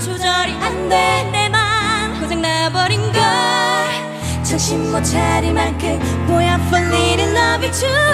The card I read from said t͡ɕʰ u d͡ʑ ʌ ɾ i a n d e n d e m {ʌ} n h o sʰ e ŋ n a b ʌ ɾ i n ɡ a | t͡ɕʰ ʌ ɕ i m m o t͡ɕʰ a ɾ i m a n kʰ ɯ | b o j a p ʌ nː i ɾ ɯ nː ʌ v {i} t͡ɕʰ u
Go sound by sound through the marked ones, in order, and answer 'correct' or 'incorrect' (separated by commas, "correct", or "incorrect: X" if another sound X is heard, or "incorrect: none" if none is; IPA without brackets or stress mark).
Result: incorrect: a, correct